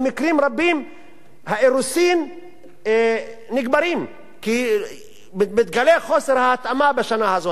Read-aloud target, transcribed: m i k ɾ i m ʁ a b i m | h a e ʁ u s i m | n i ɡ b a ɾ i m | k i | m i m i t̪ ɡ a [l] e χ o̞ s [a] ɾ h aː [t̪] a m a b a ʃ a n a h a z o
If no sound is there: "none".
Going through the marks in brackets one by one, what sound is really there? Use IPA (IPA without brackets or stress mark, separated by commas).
l, e, t̪